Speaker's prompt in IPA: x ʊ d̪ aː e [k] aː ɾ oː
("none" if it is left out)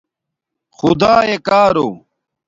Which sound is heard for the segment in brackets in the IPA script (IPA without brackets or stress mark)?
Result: k